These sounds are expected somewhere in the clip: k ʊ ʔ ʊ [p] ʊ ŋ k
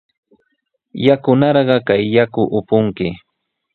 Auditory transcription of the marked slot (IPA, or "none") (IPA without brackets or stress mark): p